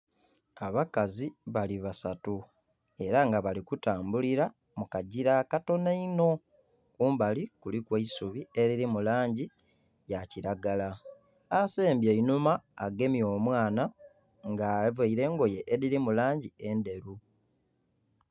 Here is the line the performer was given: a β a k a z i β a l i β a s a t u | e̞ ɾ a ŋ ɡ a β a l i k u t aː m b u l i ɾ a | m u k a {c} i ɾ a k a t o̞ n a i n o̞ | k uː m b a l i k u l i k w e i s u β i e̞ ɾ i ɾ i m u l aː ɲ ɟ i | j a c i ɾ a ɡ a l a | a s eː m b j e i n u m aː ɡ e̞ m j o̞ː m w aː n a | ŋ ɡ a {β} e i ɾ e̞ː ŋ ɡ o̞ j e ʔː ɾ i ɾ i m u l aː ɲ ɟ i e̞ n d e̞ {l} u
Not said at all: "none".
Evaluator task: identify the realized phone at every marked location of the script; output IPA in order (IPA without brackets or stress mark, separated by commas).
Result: ɟ, v, ɾ